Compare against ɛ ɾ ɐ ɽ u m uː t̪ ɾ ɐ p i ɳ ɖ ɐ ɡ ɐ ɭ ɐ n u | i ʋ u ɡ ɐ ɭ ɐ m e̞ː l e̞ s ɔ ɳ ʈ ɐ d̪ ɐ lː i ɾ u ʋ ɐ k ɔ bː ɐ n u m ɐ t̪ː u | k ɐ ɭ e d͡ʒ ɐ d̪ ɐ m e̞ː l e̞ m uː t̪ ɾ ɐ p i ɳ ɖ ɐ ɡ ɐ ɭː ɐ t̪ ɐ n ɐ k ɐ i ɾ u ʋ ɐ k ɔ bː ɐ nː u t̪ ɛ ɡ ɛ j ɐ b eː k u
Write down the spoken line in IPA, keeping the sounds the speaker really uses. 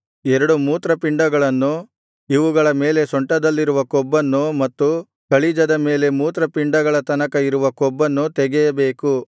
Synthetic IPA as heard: ɛ ɾ ɐ ɽ u m uː t̪ ɾ ɐ p i ɳ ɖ ɐ ɡ ɐ ɭ ɐ nː u | i ʋ u ɡ ɐ ɭ ɐ m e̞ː l e̞ s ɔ ɳ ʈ ɐ d̪ ɐ lː i ɾ u ʋ ɐ k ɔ bː ɐ nː u m ɐ t̪ː u | k ɐ ɭ i d͡ʒ ɐ d̪ ɐ m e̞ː l e̞ m uː t̪ ɾ ɐ p i ɳ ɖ ɐ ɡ ɐ ɭ ɐ t̪ ɐ n ɐ k ɐ i ɾ u ʋ ɐ k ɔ bː ɐ nː u t̪ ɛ ɡ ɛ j ɐ b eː k u